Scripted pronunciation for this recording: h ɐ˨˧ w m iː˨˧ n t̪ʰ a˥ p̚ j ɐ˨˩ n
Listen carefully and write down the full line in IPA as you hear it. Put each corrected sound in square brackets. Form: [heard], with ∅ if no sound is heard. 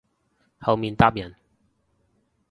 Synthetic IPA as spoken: h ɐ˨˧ w m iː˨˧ n [t̪] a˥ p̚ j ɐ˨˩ n